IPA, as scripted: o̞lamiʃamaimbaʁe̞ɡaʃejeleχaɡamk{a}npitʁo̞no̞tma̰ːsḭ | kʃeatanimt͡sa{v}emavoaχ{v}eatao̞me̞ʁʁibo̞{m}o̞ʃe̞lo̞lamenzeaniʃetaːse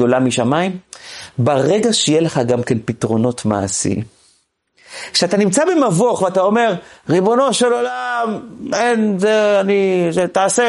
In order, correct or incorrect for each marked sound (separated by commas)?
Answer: incorrect, incorrect, correct, incorrect